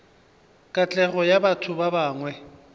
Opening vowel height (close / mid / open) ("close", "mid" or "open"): open